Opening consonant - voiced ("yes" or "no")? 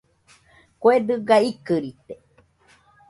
no